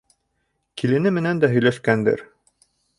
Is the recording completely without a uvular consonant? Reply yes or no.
yes